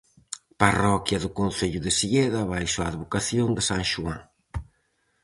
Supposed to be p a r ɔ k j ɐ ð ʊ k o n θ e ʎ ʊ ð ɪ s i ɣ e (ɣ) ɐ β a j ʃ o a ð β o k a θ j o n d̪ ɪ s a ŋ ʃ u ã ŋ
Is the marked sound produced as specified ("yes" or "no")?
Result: no